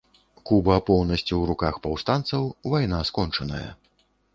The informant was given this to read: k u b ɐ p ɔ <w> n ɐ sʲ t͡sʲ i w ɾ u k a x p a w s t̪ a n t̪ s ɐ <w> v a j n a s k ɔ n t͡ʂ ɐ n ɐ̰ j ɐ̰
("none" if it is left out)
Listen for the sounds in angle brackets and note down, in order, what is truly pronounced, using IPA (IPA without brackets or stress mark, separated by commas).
w, w